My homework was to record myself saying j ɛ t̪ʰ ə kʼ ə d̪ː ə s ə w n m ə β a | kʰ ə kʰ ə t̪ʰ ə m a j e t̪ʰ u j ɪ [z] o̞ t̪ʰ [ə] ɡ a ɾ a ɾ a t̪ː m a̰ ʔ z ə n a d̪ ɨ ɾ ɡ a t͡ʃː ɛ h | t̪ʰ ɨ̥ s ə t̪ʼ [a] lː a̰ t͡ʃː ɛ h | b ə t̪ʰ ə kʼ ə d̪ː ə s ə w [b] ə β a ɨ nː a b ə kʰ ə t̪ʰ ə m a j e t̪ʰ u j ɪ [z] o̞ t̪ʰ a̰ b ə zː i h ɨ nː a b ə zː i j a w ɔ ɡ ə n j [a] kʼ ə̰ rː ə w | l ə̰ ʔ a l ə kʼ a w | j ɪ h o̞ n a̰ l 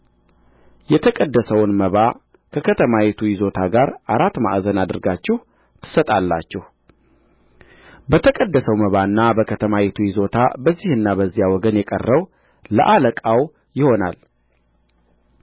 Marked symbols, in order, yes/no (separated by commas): yes, no, yes, no, yes, no